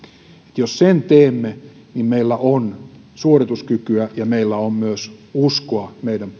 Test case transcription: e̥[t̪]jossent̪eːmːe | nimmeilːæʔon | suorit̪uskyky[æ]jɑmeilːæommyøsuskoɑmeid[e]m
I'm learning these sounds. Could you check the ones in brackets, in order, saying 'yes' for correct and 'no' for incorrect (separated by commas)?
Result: yes, yes, no